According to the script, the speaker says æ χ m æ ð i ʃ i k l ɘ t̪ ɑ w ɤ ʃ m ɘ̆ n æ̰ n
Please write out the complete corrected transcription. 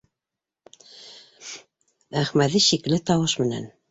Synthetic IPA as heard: æ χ m æ ð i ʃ i k l ɘ t̪ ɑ w ɤ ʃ m ɘ̆ n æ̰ n